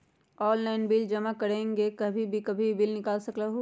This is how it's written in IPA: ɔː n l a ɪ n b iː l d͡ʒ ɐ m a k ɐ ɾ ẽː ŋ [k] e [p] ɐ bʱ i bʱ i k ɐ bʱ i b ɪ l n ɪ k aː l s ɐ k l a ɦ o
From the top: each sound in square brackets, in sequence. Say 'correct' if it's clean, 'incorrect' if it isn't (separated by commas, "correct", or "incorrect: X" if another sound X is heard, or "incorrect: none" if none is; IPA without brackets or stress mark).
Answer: incorrect: ɡ, incorrect: k